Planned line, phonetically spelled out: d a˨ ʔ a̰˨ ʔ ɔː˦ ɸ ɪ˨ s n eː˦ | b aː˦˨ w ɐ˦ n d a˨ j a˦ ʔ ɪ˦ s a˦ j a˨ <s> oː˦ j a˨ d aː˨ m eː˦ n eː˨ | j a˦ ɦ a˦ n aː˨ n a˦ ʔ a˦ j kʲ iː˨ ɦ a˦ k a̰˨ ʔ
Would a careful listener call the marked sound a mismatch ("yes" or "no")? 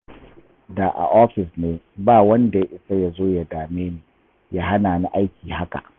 yes